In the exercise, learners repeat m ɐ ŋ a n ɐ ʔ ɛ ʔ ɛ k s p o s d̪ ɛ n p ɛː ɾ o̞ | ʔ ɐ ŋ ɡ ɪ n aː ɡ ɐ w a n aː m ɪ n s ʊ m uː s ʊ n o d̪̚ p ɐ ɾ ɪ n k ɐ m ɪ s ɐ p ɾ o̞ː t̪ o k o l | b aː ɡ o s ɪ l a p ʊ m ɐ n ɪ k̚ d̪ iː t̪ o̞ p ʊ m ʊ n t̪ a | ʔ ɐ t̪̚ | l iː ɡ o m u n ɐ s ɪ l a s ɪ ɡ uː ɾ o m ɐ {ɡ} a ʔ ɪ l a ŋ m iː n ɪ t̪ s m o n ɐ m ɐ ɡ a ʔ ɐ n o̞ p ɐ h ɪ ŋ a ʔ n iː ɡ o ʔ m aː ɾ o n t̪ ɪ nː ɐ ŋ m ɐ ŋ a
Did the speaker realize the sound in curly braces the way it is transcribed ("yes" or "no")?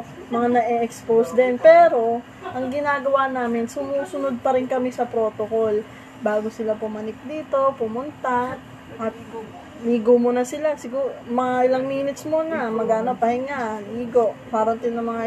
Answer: no